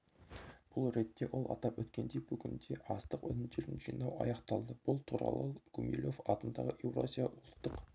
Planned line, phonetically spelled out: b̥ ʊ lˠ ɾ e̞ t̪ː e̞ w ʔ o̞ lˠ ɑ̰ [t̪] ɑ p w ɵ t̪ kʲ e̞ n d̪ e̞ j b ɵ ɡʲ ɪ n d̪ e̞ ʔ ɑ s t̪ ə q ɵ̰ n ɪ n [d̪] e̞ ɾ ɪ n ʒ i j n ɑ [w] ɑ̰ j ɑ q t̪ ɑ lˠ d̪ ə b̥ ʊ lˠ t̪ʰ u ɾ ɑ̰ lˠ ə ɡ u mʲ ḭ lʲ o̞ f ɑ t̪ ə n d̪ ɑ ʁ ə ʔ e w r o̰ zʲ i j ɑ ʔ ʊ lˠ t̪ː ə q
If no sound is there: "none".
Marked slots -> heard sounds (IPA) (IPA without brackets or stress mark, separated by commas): t̪, d̪, w